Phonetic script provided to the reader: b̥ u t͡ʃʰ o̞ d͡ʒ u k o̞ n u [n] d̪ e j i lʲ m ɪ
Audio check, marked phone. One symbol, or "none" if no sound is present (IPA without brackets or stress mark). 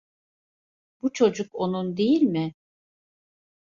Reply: n